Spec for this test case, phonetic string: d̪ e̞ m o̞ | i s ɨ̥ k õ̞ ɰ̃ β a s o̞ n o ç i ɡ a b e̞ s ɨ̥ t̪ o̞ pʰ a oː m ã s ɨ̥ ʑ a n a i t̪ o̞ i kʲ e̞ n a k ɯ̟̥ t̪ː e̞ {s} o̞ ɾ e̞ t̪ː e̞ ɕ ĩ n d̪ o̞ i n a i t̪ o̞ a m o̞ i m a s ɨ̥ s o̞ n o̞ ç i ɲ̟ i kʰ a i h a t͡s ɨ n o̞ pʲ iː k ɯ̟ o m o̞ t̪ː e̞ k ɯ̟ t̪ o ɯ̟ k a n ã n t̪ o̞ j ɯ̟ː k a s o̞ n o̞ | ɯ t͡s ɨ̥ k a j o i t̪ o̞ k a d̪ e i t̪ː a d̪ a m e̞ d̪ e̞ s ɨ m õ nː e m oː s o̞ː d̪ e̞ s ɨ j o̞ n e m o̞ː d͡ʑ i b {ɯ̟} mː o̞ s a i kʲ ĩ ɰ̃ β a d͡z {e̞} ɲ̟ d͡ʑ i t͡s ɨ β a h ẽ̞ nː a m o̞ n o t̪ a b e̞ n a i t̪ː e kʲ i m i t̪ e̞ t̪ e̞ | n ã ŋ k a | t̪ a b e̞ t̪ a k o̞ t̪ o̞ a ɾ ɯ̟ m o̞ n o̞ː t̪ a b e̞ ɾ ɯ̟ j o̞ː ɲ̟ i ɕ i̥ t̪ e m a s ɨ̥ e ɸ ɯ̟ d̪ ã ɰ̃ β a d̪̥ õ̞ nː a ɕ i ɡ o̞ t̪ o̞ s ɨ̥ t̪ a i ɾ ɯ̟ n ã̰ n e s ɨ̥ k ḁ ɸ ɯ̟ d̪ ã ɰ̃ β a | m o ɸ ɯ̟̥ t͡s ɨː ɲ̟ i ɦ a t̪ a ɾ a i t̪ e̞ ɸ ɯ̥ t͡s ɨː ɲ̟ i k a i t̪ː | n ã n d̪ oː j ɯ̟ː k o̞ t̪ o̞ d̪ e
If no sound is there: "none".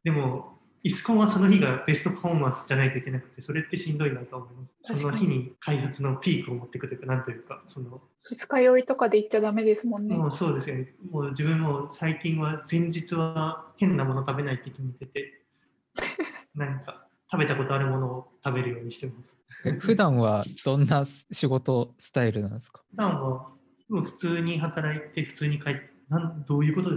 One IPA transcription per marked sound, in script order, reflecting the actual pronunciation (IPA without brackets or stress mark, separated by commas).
s, ɯ̟̃, ẽ̞